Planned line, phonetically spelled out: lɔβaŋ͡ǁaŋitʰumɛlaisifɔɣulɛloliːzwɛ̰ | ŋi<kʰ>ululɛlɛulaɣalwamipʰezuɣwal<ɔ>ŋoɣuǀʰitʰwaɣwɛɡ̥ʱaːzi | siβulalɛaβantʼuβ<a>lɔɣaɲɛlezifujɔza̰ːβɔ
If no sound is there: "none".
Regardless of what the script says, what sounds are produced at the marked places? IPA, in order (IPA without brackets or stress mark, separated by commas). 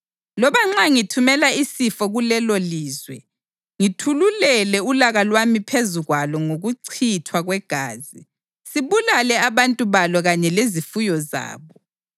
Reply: tʰ, ɔ, a